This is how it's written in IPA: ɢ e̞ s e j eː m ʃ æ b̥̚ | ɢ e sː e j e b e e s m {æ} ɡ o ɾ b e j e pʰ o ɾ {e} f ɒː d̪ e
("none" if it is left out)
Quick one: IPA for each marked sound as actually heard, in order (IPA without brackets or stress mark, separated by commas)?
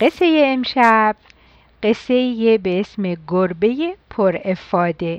e, e